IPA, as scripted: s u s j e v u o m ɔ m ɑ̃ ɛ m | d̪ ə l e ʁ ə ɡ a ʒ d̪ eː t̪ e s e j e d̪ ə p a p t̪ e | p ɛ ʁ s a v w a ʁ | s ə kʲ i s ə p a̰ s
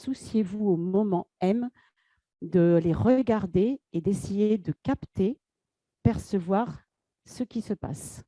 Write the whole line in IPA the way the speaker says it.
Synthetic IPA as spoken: s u s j e v u o m ɔ m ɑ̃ ɛ m | d̪ ə l e ʁ ə ɡ a ʁ d̪ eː d̪ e s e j e d̪ ə k a p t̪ e | p ɛ ʁ s ə v w a ʁ | s ə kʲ i s ə p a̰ s

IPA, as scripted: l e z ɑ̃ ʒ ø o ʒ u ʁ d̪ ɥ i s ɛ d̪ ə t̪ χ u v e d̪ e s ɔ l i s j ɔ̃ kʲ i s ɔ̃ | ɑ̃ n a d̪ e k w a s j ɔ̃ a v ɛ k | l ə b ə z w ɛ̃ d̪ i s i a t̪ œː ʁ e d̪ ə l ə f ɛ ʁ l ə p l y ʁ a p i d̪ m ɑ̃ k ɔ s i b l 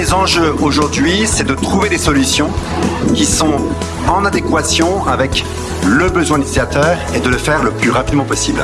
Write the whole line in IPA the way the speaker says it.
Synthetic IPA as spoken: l e z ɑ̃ ʒ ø o ʒ u ʁ d̪ ɥ i s ɛ d̪ ə t̪ χ u v e d̪ e s ɔ l y s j ɔ̃ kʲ i s ɔ̃ | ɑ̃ n a d̪ e k w a s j ɔ̃ a v ɛ k | l ə b ə z w ɛ̃ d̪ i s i a t̪ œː ʁ e d̪ ə l ə f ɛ ʁ l ə p l y ʁ a p i d̪ m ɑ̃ p ɔ s i b l

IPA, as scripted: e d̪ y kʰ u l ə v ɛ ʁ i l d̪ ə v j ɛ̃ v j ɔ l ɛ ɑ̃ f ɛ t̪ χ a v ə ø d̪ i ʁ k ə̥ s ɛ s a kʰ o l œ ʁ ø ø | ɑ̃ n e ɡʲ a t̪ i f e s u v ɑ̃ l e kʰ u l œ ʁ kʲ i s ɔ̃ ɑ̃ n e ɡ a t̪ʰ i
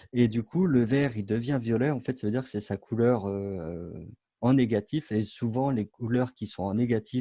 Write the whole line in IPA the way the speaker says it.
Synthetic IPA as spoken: e d̪ y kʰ u l ə v ɛ ʁ i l d̪ ə v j ɛ̃ v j ɔ l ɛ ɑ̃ f ɛ t̪ s a v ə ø d̪ i ʁ k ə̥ s ɛ s a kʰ u l œ ʁ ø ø | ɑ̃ n e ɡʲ a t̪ i f e s u v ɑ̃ l e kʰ u l œ ʁ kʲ i s ɔ̃ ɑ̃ n e ɡ a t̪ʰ i

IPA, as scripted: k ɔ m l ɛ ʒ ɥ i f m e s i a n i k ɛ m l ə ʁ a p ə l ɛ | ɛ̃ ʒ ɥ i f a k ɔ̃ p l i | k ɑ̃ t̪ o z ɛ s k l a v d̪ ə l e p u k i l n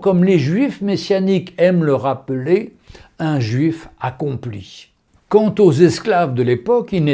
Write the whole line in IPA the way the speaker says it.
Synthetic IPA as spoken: k ɔ m l e ʒ ɥ i f m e s j a n i k ɛ m l ə ʁ a p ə l e | ɛ̃ ʒ ɥ i f a k ɔ̃ p l i | k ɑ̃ t̪ o z ɛ s k l a v d̪ ə l e p ɔ k i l n

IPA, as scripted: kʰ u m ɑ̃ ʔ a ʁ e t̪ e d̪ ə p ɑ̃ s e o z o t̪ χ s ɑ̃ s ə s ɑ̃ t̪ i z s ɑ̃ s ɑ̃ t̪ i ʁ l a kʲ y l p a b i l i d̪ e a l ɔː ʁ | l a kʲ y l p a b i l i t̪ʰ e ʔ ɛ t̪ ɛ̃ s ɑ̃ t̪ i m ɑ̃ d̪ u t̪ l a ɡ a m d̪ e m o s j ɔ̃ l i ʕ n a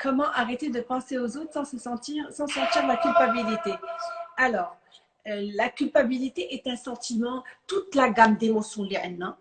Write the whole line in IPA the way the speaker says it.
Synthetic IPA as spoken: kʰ ɔ m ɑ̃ ʔ a ʁ e t̪ e d̪ ə p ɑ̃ s e o z o t̪ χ s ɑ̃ s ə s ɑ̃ t̪ i ʁ s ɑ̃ s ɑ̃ t̪ i ʁ l a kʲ y l p a b i l i t̪ e a l ɔː ʁ | l a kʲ y l p a b i l i t̪ e ʔ ɛ t̪ ɛ̃ s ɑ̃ t̪ i m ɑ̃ t̪ u t̪ l a ɡ a m d̪ e m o s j ɔ̃ l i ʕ n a

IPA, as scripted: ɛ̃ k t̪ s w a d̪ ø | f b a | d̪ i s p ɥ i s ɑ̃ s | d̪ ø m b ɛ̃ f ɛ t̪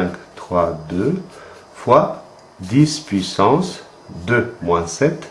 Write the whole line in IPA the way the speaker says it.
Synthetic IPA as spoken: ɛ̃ k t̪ χ w a d̪ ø | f w a | d̪ i s p ɥ i s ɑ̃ s | d̪ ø m w ɛ̃ s ɛ t̪

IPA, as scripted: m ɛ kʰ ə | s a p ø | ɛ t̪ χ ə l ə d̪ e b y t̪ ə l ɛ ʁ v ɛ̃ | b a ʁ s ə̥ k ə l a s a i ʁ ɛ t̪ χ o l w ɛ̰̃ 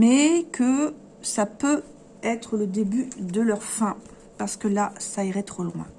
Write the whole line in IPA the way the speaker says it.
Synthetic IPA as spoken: m ɛ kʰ ə | s a p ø | ɛ t̪ χ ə l ə d̪ e b y d̪ ə l œ ʁ f ɛ̃ | p a ʁ s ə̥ k ə l a s a i ʁ ɛ t̪ χ o l w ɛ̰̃

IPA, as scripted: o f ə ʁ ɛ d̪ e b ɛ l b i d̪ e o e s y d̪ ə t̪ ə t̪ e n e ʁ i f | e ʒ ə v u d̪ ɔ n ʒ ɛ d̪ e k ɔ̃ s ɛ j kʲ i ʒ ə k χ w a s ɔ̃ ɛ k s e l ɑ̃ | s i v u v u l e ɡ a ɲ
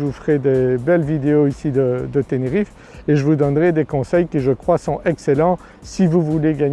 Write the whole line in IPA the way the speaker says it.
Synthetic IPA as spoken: u f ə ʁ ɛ d̪ e b ɛ l v i d̪ e o i s i d̪ ə d̪ ə t̪ e n e ʁ i f | e ʒ ə v u d̪ ɔ n ʁ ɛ d̪ e k ɔ̃ s ɛ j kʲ i ʒ ə k χ w a s ɔ̃ ɛ k s e l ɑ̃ | s i v u v u l e ɡ a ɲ

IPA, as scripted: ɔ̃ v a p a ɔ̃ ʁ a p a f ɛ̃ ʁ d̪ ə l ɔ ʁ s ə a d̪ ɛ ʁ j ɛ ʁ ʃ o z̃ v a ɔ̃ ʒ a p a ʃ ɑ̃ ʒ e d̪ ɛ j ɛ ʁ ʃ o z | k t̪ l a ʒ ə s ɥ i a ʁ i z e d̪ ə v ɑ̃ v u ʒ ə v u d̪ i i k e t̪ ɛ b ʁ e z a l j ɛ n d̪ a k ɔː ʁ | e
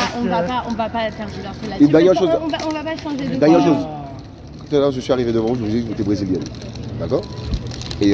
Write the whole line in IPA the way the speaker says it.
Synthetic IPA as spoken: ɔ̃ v a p a ɔ̃ v a p a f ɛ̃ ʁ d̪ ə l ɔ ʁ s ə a d̪ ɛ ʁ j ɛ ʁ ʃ o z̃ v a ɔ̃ v a p a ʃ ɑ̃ ʒ e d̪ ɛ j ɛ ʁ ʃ o z | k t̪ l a ʒ ə s ɥ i a ʁ i v e d̪ ə v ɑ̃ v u ʒ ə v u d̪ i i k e t̪ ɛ b ʁ e z i l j ɛ n d̪ a k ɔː ʁ | e

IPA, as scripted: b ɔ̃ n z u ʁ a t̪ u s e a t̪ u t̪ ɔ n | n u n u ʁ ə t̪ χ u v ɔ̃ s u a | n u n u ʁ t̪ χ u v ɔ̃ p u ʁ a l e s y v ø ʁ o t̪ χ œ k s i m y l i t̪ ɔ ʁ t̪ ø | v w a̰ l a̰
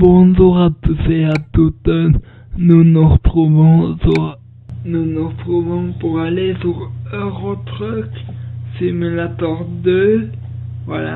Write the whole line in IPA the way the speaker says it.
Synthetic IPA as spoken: b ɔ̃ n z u ʁ a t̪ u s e a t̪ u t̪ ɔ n | n u n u ʁ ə t̪ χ u v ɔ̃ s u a | n u n u ʁ t̪ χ u v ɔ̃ p u ʁ a l e s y ʁ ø ʁ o t̪ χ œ k s i m y l a t̪ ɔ ʁ d̪ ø | v w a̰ l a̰

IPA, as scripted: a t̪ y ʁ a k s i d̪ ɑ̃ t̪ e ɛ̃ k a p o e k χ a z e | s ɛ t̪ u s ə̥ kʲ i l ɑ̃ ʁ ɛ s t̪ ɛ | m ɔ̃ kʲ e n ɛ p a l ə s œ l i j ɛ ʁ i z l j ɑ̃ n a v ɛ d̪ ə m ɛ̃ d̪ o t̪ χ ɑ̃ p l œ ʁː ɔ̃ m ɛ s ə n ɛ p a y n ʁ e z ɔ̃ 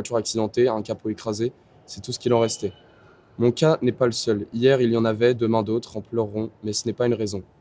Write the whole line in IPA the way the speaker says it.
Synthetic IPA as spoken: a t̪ y ʁ a k s i d̪ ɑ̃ t̪ e ɛ̃ k a p o e k χ a z e | s ɛ t̪ u s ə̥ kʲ i l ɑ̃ ʁ ɛ s t̪ ɛ | m ɔ̃ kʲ a n ɛ p a l ə s œ l i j ɛ ʁ i l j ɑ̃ n a v ɛ d̪ ə m ɛ̃ d̪ o t̪ χ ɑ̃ p l œ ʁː ɔ̃ m ɛ s ə n ɛ p a y n ʁ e z ɔ̃

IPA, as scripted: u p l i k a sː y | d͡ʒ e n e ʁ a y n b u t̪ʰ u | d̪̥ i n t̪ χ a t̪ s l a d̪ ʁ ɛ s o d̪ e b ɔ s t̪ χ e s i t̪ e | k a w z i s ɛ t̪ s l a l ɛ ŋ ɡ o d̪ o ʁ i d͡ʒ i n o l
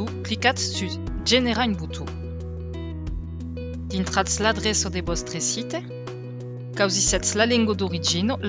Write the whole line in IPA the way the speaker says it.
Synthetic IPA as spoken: u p l i k a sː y | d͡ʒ e n e ʁ a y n b u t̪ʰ u | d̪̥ i n t̪ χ a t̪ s l a d̪ ʁ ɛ s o d̪ e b ɔ s t̪ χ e s i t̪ e | k a w z i s ɛ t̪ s l a l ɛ ŋ ɡ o d̪ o ʁ i d͡ʒ i n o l

